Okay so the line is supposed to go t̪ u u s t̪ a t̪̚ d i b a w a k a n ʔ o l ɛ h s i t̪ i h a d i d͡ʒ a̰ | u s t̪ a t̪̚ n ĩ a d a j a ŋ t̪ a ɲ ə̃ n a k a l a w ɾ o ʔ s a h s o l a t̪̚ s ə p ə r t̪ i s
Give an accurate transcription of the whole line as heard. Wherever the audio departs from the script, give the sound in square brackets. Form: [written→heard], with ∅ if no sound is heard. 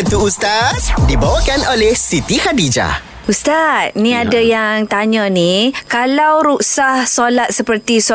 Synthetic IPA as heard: t̪ u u s t̪ a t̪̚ d i b a w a k a n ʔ o l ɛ h s i t̪ i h a d i d͡ʒ a̰ | u s t̪ a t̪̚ n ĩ a d a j a ŋ t̪ a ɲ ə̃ n [a→i] k a l a w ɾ [o→u] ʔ s a h s o l a t̪̚ s ə p ə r t̪ i s